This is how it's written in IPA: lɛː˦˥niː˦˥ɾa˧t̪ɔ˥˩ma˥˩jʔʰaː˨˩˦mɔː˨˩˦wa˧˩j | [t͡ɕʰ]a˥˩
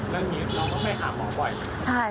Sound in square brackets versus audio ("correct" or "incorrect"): correct